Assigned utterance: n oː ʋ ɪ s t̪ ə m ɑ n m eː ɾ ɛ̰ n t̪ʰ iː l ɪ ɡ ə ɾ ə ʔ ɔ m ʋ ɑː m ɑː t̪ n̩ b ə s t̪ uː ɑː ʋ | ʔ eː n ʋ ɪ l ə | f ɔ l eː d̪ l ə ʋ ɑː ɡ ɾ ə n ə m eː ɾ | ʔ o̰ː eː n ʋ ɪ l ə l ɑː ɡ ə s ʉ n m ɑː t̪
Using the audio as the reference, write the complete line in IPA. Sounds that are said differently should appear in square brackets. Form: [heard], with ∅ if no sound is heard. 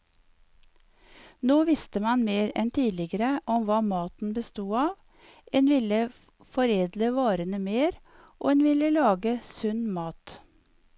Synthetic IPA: n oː ʋ ɪ s t̪ ə m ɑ n m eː ɾ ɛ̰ n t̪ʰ iː l ɪ ɡ ə ɾ ə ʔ ɔ m ʋ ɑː m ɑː t̪ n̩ b ə s t̪ uː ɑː ʋ | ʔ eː n ʋ ɪ l ə | f ɔ [ɾ] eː d̪ l ə ʋ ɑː [∅] ɾ ə n ə m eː ɾ | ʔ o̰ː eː n ʋ ɪ l ə l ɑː ɡ ə s ʉ n m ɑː t̪